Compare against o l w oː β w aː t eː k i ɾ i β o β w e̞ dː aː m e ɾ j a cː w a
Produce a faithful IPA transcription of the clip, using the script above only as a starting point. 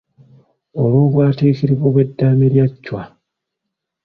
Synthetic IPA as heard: o l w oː β w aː t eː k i ɾ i β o β w e̞ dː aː m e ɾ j a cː w a